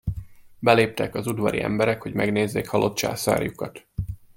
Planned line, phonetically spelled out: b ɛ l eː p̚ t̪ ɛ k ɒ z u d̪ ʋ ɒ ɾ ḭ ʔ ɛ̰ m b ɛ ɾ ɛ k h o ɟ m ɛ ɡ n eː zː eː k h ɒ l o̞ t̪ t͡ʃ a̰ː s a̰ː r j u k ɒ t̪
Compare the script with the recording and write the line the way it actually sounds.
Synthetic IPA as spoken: b ɛ l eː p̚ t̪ ɛ k ɒ z u d̪ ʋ ɒ ɾ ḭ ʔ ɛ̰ m b ɛ ɾ ɛ k h o ɟ m ɛ ɡ n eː zː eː k h ɒ l o̞ t̪ t͡ʃ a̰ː s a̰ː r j u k ɒ t̪

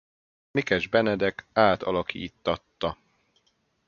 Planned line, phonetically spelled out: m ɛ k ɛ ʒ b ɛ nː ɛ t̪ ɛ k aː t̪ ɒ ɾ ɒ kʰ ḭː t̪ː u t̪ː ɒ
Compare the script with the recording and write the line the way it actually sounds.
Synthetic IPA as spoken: m i k ɛ ʒ b ɛ n ɛ d̪ ɛ k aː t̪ ɒ l ɒ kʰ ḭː t̪ː ɒ t̪ː ɒ

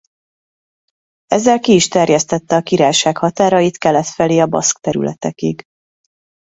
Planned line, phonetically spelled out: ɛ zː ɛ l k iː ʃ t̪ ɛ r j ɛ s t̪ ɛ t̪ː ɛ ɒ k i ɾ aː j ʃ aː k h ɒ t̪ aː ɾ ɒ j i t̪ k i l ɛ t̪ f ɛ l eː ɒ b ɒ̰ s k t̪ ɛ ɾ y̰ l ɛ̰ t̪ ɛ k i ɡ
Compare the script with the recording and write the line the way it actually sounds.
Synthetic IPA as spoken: ɛ zː ɛ l k iː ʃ t̪ ɛ r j ɛ s t̪ ɛ t̪ː ɛ ɒ k i ɾ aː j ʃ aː k h ɒ t̪ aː ɾ ɒ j i t̪ k ɛ l ɛ t̪ f ɛ l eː ɒ b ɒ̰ s k t̪ ɛ ɾ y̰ l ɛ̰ t̪ ɛ k i ɡ

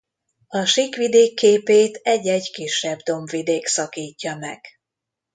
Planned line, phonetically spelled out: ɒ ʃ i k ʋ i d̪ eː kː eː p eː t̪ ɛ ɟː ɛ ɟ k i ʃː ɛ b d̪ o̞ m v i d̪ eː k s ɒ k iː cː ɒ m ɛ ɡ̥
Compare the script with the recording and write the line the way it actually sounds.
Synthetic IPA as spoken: ɒ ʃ i k ʋ i d̪ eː kː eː p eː t̪ ɛ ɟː ɛ ɟ k i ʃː ɛ b d̪ o̞ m v i d̪ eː k s ɒ k iː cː ɒ m ɛ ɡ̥

